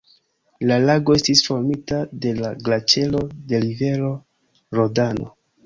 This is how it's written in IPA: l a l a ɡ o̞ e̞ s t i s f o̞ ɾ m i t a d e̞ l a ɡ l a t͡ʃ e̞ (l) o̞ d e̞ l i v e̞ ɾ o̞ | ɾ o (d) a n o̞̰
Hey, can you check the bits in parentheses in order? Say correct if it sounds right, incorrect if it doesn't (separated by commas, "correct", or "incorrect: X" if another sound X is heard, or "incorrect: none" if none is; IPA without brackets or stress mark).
correct, correct